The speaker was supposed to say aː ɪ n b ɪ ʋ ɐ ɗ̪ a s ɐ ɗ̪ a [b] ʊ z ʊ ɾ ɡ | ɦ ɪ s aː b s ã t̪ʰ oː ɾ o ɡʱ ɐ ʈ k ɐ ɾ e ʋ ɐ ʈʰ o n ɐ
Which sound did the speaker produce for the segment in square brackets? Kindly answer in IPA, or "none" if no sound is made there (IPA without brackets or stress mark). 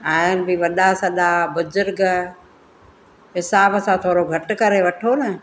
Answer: b